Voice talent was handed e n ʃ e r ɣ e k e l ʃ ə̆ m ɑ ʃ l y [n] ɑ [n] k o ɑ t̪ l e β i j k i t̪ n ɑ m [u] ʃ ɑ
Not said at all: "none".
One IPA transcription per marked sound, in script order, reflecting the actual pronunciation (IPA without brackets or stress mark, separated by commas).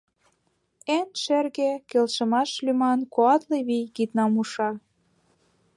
m, n, u